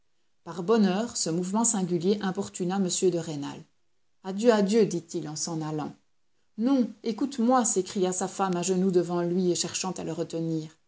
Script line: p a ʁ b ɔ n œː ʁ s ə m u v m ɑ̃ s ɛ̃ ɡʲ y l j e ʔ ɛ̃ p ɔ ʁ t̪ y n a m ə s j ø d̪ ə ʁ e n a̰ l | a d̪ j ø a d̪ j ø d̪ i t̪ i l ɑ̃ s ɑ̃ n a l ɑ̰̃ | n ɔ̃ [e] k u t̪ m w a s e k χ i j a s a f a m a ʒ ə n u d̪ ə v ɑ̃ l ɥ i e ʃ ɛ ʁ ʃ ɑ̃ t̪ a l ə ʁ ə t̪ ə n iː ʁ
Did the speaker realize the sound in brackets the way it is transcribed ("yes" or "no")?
yes